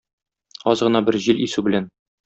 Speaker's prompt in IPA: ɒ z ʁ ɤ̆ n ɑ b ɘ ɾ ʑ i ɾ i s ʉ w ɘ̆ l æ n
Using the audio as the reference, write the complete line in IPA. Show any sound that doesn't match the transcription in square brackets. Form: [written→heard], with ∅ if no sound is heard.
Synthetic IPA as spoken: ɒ z ʁ ɤ̆ n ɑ b ɘ ɾ ʑ i [ɾ→l] i s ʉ [w→b] ɘ̆ l æ n